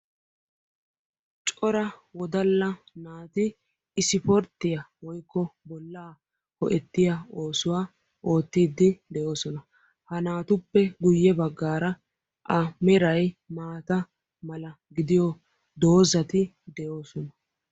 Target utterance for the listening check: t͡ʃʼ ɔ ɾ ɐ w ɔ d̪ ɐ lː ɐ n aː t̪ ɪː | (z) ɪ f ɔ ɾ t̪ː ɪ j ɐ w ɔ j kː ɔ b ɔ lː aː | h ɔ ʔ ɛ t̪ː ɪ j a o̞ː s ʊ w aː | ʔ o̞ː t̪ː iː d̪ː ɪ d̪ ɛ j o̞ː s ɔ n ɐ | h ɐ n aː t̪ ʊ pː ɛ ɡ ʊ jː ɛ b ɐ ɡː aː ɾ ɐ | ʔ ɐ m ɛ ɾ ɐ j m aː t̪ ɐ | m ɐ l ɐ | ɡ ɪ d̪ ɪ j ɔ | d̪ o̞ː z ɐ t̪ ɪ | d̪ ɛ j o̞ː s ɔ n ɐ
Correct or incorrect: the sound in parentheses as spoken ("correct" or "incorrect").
incorrect